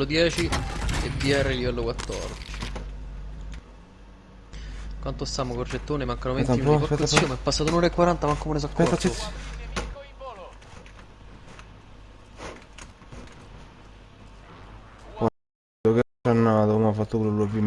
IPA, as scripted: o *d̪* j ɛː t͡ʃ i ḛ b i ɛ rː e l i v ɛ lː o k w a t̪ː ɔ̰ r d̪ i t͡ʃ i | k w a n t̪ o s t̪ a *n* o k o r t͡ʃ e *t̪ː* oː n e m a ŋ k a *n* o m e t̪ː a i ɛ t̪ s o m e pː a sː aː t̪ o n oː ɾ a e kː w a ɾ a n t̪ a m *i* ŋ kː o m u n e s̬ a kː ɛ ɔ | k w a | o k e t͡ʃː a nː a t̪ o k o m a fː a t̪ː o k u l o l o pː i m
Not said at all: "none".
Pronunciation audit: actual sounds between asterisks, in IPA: d̪, m, t̪ː, n, a

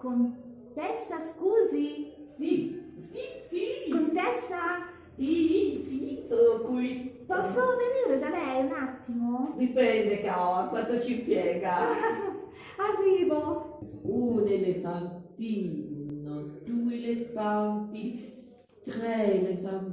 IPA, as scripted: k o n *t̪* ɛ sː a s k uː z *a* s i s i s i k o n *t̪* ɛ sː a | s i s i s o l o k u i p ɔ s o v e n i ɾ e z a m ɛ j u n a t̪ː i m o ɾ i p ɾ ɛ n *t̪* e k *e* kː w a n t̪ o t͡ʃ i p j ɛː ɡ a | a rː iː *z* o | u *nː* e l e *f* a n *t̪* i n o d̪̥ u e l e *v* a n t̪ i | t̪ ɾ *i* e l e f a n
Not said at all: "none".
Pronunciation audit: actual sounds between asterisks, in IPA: t̪, i, t̪, d̪, a, v, n, f, t̪, f, ɛ

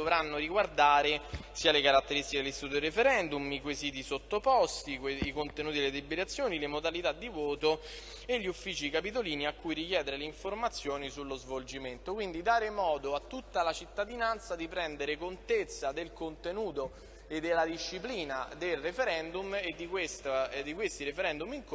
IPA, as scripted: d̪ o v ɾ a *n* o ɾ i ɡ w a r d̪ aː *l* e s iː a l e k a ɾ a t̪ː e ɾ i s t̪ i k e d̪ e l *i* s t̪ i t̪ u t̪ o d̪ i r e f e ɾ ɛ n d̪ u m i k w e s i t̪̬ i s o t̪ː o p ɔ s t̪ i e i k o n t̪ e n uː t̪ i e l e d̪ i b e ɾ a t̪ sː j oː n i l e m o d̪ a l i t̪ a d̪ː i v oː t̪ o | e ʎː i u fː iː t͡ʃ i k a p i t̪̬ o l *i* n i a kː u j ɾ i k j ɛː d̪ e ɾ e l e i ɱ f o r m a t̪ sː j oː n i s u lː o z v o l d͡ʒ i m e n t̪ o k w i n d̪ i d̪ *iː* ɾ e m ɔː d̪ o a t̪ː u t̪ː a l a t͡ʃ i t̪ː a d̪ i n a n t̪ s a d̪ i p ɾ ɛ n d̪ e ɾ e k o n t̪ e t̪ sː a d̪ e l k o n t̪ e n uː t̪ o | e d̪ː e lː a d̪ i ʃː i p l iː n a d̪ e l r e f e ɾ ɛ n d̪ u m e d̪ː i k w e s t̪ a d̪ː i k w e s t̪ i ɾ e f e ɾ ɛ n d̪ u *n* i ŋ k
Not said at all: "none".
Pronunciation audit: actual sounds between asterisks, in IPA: nː, ɾ, i, iː, aː, m

